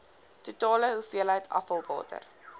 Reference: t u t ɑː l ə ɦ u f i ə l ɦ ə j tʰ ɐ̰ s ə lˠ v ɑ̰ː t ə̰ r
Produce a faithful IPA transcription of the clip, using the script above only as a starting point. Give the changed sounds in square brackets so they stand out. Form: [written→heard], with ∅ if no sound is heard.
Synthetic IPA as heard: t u t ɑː l ə ɦ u f i ə l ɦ ə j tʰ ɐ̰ [s→f] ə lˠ v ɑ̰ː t ə̰ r